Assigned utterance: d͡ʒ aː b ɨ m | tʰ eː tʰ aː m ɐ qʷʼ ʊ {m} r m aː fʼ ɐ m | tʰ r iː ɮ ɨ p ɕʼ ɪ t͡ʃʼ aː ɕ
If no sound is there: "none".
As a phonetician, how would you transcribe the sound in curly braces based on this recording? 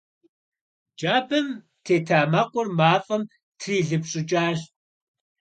none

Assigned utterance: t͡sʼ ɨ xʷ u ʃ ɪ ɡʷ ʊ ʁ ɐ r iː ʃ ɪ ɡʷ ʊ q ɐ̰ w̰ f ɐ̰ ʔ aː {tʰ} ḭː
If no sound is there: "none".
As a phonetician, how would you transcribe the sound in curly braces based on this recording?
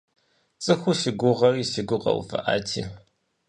tʰ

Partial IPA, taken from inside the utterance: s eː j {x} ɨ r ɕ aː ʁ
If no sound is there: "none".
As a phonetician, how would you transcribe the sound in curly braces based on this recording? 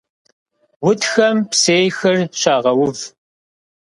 x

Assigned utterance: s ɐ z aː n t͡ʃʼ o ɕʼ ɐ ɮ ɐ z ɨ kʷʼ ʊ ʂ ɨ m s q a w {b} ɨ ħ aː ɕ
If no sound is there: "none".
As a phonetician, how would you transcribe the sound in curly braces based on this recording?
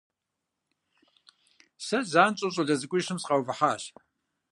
v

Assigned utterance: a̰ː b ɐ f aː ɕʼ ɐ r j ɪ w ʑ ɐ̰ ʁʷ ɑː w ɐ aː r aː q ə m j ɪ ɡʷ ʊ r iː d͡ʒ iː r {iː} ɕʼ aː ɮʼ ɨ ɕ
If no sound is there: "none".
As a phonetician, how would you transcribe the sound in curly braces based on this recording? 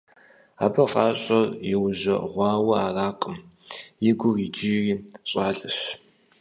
iː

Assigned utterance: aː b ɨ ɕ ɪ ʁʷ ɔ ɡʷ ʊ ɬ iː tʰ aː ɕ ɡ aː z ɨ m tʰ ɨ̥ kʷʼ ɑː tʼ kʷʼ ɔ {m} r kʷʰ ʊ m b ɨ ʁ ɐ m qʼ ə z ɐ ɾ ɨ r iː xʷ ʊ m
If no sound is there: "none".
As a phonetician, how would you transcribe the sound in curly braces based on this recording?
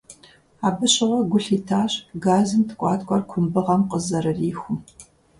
none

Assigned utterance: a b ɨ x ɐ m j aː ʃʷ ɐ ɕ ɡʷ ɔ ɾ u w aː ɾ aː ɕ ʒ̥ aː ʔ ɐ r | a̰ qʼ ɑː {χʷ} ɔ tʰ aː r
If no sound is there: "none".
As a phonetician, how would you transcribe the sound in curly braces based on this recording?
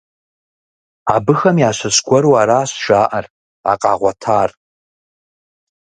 ʁʷ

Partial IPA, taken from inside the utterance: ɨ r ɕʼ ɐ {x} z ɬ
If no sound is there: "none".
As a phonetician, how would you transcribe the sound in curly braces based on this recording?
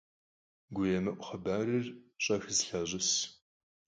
x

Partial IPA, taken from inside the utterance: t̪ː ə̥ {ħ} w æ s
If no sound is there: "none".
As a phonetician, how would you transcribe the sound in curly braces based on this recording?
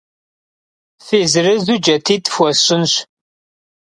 f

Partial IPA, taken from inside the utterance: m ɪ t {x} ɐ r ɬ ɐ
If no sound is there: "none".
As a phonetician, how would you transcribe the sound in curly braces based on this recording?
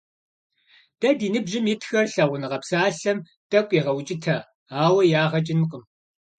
x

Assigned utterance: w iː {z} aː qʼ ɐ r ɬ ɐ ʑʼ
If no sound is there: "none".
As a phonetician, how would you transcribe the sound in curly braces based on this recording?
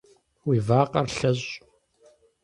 v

